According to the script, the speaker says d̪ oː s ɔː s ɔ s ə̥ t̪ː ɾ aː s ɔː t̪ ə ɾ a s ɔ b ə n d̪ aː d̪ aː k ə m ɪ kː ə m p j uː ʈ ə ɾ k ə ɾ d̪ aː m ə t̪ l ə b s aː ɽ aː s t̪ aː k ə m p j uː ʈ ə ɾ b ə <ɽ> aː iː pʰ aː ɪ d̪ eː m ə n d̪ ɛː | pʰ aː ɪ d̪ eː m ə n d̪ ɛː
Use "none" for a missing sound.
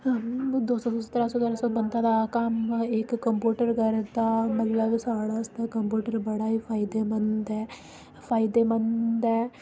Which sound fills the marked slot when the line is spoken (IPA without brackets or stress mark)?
ɽ